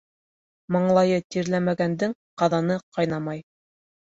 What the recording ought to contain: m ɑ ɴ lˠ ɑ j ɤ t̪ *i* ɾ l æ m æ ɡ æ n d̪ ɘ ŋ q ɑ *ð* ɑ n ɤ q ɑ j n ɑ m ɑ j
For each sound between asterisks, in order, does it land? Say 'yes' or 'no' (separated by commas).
yes, yes